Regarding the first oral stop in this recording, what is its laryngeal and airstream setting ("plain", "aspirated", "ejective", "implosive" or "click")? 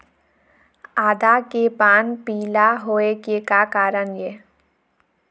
plain